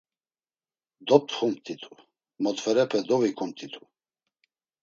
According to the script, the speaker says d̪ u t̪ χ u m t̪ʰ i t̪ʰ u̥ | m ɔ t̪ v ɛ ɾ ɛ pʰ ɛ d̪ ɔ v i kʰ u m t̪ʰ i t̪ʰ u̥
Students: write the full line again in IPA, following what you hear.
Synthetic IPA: d̪ ɔ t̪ χ u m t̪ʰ i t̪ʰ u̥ | m ɔ t̪ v ɛ ɾ ɛ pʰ ɛ d̪ ɔ v i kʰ u m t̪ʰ i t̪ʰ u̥